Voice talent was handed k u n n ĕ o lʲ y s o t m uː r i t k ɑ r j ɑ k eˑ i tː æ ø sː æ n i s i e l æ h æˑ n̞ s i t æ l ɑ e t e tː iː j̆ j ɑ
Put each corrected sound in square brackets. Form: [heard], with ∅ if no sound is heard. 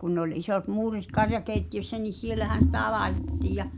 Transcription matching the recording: k u n n ĕ o lʲ [i] s o t m uː r i t k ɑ r j ɑ k eˑ i tː [i] ø sː æ n i s i e l æ h æˑ n̞ s i t æ l ɑ e t e tː iː j̆ j ɑ